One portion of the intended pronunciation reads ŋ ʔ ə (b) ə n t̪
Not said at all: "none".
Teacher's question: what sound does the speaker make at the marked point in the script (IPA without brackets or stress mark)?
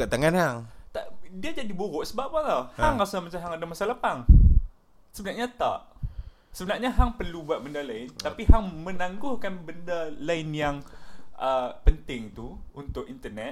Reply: p